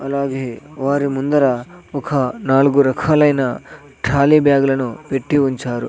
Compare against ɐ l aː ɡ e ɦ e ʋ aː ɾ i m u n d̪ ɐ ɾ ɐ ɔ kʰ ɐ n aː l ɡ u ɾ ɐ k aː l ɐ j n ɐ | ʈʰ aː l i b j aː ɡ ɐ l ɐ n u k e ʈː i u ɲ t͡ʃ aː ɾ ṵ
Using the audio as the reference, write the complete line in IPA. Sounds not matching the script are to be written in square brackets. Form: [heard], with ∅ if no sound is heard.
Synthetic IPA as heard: ɐ l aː ɡ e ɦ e ʋ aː ɾ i m u n d̪ ɐ ɾ ɐ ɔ kʰ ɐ n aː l ɡ u ɾ ɐ [kʰ] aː l ɐ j n ɐ | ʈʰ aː l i b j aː ɡ ɐ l ɐ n u [p] e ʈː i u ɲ t͡ʃ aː ɾ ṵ